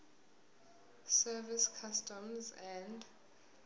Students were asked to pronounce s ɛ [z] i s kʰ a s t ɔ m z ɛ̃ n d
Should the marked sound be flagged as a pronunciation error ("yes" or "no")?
yes